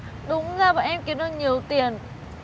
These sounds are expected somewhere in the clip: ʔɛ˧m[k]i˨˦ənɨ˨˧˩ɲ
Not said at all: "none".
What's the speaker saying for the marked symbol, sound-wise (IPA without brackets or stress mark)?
k